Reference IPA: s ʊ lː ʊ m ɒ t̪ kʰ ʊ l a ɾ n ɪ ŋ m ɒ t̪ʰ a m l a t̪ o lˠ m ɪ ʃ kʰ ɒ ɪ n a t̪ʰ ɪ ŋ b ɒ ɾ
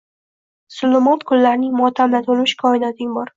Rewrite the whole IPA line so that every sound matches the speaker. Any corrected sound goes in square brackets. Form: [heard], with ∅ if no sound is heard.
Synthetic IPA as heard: s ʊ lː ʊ m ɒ t̪ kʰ ʊ [lː] a ɾ n ɪ ŋ m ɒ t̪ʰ a m l a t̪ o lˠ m ɪ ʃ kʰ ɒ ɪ n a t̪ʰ ɪ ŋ b ɒ ɾ